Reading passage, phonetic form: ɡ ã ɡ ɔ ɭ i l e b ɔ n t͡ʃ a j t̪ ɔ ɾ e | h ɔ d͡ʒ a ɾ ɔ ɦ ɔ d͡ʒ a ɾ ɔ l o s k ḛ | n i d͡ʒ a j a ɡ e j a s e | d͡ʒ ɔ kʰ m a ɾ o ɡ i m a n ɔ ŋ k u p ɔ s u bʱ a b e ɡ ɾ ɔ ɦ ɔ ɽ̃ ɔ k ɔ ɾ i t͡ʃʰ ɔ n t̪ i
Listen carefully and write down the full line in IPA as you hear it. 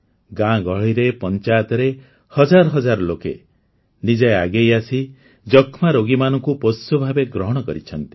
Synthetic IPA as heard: ɡ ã ɡ ɔ ɭ i ɾ e p ɔ n t͡ʃ a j t̪ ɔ ɾ e | h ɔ d͡ʒ a ɾ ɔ ɦ ɔ d͡ʒ a ɾ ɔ l o k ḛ | n i d͡ʒ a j a ɡ e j a s i | d͡ʒ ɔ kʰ m a ɾ o ɡ i m a n ɔ ŋ k u p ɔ s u bʱ a b e ɡ ɾ ɔ ɦ ɔ ɽ̃ ɔ k ɔ ɾ i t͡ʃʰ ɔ n t̪ i